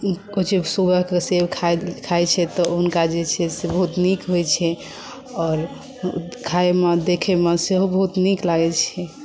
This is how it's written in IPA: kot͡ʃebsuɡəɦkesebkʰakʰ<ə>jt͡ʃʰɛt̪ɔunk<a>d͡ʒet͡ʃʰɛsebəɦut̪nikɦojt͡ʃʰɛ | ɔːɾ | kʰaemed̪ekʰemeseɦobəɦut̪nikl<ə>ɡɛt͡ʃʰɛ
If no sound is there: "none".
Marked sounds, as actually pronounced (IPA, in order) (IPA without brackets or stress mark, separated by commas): a, a, a